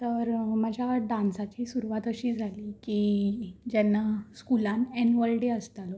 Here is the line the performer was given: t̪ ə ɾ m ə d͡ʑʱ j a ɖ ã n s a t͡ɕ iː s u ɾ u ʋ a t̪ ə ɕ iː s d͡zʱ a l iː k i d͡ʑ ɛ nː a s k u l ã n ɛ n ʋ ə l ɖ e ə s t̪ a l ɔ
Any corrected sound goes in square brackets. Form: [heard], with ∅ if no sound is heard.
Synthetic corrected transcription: t̪ ə ɾ m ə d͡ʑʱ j a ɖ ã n s a t͡ɕ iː s u ɾ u ʋ a t̪ ə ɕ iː [∅] d͡zʱ a l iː k i d͡ʑ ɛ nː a s k u l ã n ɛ n ʋ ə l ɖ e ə s t̪ a l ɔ